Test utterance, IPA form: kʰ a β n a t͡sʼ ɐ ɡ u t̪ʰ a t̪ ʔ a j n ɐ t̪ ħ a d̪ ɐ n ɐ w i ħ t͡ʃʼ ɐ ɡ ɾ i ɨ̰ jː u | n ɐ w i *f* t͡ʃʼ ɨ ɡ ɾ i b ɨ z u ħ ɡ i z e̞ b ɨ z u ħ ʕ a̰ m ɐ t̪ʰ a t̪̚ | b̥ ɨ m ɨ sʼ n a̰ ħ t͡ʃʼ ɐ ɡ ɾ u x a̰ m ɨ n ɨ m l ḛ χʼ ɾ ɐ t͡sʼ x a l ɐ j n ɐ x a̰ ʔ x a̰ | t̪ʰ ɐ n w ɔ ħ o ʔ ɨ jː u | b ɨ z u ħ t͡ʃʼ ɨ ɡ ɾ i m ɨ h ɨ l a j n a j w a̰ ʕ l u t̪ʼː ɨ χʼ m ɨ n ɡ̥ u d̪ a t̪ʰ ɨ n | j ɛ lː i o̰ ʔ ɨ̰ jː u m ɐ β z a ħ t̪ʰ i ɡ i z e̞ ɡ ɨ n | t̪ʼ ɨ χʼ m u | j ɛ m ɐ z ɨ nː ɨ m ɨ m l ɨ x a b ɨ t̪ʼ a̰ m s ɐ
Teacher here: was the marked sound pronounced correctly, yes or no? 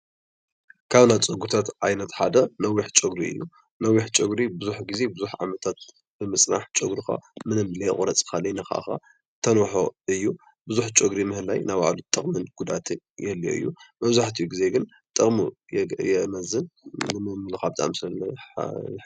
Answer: no